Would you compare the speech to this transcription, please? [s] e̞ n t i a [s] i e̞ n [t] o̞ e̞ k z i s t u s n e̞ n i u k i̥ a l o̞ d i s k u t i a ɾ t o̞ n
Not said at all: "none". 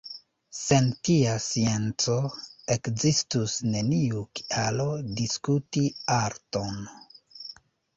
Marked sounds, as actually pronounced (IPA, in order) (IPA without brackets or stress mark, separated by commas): s, s, t͡s